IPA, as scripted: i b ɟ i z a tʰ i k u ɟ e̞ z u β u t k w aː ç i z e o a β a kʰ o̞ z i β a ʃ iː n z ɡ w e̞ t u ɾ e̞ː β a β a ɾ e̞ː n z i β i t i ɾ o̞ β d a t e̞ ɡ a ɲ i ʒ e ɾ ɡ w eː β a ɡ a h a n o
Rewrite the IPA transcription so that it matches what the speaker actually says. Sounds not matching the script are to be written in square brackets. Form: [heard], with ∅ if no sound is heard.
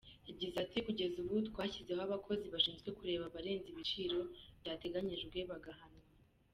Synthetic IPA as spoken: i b ɟ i z a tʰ i k u ɟ e̞ z u β u t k w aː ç i z e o a β a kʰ o̞ z i β a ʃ iː n z ɡ w e̞ [k] u ɾ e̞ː β a β a ɾ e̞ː n z i β i [t͡ʃ] i ɾ o̞ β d a t e̞ ɡ a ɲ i ʒ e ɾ ɡ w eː β a ɡ a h a n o